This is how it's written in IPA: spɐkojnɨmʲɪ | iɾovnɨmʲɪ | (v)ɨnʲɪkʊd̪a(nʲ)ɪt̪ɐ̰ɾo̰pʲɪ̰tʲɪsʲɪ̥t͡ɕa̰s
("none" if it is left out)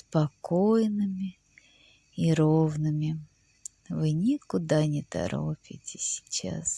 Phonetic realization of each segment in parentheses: v, nʲ

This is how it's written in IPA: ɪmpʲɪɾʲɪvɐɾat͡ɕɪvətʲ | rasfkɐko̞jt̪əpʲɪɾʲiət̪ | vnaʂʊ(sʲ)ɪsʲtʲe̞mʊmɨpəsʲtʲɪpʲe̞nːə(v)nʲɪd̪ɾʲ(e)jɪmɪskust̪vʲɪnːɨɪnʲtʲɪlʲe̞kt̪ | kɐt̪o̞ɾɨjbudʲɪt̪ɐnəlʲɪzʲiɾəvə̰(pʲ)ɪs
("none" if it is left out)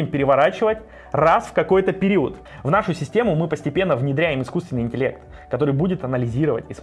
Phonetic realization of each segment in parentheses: sʲ, v, æ, tʲ

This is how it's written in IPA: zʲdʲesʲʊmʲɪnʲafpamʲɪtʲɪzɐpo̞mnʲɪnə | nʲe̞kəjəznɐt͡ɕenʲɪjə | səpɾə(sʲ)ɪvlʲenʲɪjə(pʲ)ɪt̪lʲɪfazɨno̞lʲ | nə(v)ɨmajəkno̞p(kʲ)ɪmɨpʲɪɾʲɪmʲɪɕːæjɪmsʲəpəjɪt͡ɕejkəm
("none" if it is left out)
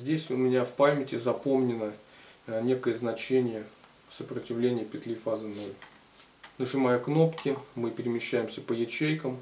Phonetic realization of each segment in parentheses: tʲ, pʲ, ʐ, kʲ

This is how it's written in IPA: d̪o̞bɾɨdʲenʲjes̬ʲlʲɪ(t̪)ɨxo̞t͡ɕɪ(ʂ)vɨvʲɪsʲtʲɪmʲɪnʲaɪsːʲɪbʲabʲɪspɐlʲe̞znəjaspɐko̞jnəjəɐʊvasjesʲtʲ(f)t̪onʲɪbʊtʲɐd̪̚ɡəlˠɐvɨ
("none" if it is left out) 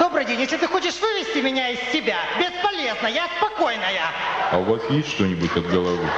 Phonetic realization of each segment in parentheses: t̪, ʂ, ʂ

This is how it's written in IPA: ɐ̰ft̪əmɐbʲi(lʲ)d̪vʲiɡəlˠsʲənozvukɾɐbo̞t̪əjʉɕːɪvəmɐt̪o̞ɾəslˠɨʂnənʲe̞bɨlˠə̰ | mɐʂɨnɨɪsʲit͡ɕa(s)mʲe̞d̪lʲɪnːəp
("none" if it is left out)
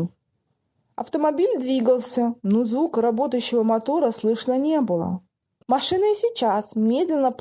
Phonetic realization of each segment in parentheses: lʲ, s

